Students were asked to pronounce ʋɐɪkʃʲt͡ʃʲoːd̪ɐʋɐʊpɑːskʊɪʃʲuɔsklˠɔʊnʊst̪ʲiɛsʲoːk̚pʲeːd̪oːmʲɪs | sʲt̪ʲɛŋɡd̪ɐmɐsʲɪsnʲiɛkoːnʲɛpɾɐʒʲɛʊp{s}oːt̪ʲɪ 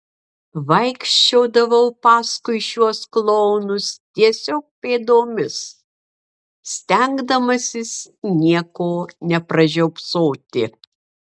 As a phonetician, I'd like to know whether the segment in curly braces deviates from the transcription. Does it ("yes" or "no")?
no